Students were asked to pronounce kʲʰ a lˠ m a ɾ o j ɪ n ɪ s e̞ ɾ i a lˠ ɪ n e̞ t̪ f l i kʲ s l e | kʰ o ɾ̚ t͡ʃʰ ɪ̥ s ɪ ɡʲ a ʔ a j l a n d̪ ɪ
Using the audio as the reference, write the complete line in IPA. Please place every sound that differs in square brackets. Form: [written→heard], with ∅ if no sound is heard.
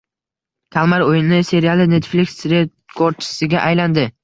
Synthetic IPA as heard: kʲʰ a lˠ m a ɾ o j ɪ n ɪ s e̞ ɾ i a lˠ ɪ n e̞ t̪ f l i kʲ s [l→ɾ] e | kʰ o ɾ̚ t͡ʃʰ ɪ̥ s ɪ ɡʲ a ʔ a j l a n d̪ ɪ